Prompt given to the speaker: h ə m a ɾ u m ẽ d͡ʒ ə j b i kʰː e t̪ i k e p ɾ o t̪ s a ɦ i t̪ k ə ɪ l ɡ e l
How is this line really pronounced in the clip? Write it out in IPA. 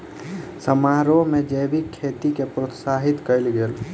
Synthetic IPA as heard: s ə m a ɾ o m e d͡ʒ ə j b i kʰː e t̪ i k e p ɾ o t̪ s a ɦ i t̪ k ə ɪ l ɡ e l